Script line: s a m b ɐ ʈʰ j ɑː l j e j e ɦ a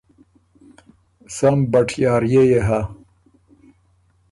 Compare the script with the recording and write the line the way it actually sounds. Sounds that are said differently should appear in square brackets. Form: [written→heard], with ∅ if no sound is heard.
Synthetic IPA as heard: s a m b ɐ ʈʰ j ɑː [l→ɾ] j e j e ɦ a